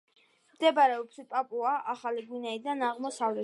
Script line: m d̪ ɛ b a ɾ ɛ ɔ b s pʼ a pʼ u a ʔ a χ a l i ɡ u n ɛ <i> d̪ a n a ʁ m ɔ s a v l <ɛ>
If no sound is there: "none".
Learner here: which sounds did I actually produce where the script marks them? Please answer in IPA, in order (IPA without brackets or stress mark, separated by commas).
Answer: i, ɛ